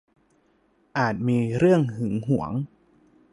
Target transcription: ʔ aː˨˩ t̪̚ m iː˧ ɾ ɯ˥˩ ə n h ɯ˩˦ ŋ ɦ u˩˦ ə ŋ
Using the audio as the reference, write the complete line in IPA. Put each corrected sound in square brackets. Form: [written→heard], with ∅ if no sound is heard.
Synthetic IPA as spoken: ʔ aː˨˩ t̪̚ m iː˧ ɾ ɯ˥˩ ə [n→ŋ] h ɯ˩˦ ŋ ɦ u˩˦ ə ŋ